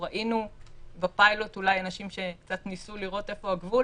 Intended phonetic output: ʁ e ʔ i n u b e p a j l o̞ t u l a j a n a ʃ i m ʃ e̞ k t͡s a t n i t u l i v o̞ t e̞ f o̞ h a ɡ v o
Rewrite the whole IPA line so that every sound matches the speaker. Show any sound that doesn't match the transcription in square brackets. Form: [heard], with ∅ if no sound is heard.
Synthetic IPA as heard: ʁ [a] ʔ i n u b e p a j l o̞ t u l a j a n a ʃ i m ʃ e̞ k t͡s a t n i [s] u l i [ʁ] o̞ t e̞ f o̞ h a ɡ v [u]